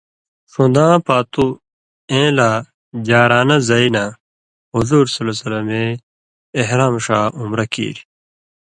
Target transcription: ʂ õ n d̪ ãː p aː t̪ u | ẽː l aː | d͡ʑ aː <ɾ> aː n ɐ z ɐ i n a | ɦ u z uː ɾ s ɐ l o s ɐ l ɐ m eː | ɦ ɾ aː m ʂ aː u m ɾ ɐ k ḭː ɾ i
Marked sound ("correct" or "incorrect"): correct